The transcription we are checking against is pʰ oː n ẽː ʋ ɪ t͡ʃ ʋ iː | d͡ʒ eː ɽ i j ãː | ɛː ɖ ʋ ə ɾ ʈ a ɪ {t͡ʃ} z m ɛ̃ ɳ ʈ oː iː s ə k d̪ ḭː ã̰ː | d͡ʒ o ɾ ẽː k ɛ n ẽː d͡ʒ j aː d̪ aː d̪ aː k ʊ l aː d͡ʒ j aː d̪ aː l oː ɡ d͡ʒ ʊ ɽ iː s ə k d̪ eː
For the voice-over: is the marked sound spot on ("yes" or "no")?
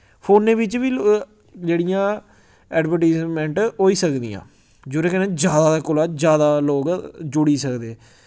no